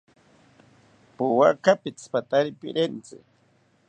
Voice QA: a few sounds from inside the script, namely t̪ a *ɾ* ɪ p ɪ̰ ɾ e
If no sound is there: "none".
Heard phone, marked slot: ɾ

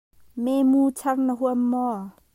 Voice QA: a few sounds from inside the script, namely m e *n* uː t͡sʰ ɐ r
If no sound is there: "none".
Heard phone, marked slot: m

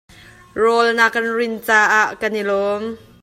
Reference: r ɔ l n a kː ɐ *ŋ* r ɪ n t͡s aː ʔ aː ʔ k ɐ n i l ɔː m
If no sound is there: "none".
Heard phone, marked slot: n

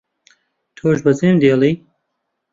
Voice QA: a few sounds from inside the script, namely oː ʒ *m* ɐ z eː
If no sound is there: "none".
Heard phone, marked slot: b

